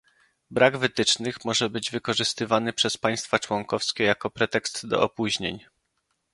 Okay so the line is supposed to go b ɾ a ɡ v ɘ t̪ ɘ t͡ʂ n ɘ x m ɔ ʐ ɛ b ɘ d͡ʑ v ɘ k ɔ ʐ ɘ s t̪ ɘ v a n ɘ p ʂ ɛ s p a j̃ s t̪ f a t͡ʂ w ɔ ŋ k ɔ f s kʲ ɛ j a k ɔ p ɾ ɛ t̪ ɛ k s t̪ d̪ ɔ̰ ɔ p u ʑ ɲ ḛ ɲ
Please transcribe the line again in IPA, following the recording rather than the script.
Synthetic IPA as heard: b ɾ a ɡ v ɘ t̪ ɘ t͡ʂ n ɘ x m ɔ ʐ ɛ b ɘ d͡ʑ v ɘ k ɔ ʐ ɘ s t̪ ɘ v a n ɘ p ʂ ɛ s p a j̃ s t̪ f a t͡ʂ w ɔ ŋ k ɔ f s kʲ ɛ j a k ɔ p ɾ ɛ t̪ ɛ k s t̪ d̪ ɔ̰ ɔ p u ʑ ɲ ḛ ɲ